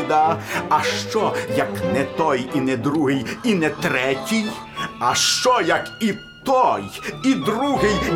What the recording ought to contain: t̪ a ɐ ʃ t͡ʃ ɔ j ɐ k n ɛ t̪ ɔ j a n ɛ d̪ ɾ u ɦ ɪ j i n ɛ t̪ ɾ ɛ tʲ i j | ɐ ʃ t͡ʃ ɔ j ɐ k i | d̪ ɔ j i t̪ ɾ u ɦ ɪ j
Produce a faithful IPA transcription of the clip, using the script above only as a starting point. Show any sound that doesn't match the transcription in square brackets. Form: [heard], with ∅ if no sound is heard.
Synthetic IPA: [d̪] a ɐ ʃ t͡ʃ ɔ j ɐ k n ɛ t̪ ɔ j [i] n ɛ d̪ ɾ u ɦ ɪ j i n ɛ t̪ ɾ ɛ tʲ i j | ɐ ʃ t͡ʃ ɔ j ɐ k i | [t̪] ɔ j i [d̪] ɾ u ɦ ɪ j